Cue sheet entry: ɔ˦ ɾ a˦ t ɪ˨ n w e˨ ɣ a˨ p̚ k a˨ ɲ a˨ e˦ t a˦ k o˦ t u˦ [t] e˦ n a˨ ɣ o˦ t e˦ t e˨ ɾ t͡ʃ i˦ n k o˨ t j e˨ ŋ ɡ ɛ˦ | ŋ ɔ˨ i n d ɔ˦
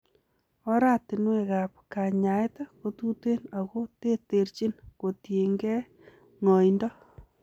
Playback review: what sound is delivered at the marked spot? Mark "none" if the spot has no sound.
t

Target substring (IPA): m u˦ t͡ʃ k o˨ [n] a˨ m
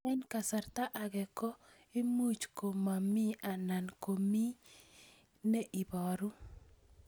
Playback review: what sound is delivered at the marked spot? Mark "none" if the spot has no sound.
m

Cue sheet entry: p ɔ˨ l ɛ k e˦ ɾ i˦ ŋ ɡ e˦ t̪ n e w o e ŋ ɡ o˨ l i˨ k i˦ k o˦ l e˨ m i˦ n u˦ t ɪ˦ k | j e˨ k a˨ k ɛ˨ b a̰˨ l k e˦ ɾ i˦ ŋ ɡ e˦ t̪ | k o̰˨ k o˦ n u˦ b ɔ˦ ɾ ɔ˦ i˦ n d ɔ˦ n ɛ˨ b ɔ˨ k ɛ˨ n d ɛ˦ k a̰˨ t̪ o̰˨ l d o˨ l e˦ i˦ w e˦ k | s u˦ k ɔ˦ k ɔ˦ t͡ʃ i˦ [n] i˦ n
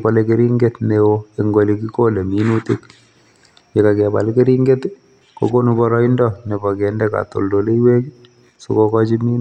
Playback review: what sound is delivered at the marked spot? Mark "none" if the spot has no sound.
m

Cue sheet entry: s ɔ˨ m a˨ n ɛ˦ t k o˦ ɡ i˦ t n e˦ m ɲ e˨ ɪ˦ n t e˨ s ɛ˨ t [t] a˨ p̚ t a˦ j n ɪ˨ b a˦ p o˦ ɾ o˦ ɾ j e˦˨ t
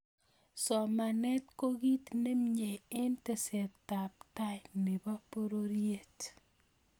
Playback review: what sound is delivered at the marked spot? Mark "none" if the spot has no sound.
t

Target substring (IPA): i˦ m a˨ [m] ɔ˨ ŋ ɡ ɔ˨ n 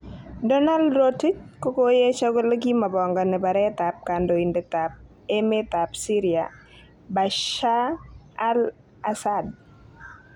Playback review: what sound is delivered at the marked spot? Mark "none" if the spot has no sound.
b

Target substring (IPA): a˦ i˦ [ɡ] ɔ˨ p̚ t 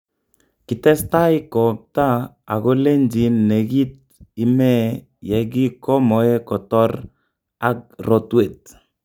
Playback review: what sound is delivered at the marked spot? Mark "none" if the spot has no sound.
k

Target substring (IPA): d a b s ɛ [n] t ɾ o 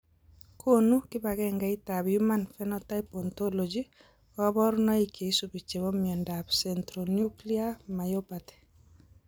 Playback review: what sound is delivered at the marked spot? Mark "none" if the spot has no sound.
n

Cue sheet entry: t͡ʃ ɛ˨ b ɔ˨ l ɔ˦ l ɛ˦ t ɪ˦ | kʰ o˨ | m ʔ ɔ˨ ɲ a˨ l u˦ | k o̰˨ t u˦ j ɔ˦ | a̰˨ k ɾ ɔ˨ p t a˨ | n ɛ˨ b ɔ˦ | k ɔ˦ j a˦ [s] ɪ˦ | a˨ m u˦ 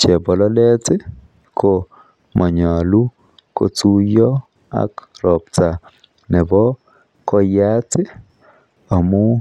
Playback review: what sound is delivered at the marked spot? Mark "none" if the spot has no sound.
t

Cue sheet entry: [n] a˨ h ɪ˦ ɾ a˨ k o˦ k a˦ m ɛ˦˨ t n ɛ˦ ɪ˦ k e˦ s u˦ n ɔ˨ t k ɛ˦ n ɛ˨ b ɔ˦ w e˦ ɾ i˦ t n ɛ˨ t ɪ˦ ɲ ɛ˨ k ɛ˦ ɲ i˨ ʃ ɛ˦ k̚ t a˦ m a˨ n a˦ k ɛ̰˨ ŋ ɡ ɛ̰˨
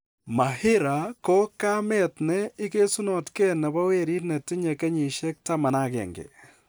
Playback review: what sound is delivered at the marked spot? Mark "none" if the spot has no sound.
m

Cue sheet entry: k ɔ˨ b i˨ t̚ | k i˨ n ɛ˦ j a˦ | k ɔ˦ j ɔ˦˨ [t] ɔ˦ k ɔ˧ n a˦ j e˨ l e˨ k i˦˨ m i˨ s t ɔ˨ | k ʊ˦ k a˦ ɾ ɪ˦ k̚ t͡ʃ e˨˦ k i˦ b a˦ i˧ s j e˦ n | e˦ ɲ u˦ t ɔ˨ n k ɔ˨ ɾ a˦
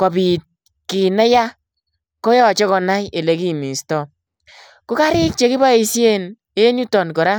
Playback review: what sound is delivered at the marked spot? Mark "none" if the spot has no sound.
t͡ʃ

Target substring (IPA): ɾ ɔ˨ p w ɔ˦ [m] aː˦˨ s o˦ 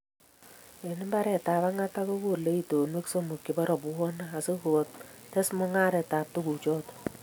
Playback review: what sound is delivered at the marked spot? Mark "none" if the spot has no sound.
n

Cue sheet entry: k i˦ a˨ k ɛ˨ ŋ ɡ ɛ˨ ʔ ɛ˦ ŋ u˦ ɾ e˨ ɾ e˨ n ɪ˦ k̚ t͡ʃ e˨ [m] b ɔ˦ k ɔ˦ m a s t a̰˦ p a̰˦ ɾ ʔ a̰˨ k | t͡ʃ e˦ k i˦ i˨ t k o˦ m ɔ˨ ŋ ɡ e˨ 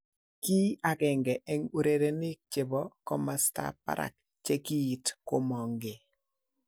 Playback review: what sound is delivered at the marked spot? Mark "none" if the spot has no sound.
none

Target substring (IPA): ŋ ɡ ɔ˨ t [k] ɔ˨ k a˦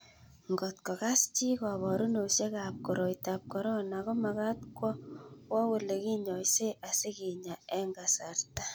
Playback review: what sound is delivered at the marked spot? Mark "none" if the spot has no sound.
k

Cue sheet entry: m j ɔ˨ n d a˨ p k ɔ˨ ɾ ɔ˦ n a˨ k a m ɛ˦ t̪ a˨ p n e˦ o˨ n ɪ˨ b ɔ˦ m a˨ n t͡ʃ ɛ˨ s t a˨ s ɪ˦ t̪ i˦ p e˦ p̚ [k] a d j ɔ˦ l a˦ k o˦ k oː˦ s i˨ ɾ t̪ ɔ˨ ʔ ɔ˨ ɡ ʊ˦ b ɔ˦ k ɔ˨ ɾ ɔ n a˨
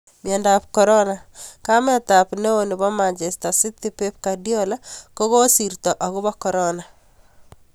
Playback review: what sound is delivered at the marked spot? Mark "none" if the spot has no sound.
k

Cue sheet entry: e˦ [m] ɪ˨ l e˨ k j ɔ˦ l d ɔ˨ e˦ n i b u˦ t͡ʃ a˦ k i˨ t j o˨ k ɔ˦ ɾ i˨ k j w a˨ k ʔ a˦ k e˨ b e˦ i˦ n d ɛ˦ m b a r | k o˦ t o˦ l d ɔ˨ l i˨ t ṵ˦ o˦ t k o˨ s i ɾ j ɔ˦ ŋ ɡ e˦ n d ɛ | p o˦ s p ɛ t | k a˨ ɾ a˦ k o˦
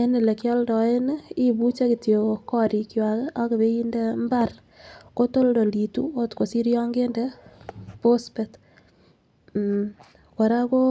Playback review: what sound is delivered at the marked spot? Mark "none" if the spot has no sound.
n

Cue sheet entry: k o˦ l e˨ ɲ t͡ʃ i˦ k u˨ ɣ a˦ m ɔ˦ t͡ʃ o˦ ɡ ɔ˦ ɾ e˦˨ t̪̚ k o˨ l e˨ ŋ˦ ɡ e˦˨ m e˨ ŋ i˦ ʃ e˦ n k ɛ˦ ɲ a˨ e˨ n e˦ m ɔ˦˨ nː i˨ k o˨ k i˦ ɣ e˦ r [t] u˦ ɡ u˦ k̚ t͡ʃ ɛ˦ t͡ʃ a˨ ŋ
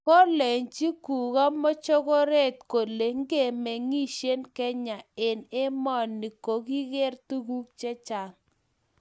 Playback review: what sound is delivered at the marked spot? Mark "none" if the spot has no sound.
t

